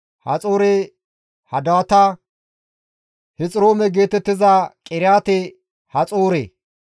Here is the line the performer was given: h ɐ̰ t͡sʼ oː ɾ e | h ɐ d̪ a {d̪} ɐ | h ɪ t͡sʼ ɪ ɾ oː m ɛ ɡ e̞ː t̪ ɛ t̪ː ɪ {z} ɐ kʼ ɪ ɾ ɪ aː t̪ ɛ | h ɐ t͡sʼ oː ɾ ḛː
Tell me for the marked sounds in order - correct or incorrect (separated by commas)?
incorrect, correct